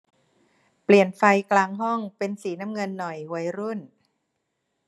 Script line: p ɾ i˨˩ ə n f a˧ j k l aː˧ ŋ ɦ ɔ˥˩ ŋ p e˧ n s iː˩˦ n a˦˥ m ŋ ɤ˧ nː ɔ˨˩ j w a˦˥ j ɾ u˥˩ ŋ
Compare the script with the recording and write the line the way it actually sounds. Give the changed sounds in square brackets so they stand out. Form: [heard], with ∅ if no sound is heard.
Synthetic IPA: p [l] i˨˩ ə n f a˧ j k l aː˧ ŋ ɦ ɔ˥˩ ŋ p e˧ n s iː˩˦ n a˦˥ m ŋ ɤ˧ nː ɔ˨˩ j w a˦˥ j ɾ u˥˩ [n]